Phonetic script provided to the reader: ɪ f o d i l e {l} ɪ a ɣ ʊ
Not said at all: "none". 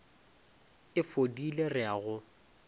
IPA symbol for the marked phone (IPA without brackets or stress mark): r